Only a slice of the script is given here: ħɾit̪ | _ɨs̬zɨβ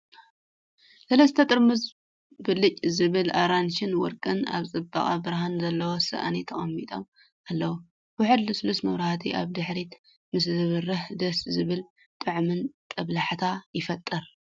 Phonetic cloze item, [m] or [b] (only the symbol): m